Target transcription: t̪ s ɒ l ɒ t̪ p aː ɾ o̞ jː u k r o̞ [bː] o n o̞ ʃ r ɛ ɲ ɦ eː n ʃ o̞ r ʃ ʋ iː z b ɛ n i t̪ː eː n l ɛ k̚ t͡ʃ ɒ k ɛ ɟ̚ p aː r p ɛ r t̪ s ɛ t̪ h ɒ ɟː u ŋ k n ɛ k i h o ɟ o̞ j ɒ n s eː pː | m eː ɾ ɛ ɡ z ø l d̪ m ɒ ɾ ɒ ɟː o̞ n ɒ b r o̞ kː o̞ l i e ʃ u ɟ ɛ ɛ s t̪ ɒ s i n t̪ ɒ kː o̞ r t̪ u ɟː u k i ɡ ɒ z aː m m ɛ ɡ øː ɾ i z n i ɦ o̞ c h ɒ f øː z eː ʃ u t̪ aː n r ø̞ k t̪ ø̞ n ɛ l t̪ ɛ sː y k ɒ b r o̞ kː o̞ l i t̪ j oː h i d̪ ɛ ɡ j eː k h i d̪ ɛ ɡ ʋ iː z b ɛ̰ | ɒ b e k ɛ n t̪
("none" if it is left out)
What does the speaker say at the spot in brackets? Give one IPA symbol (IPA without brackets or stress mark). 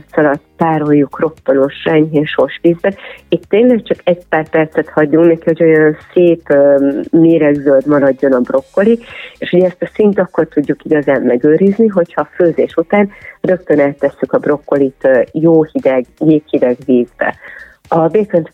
pː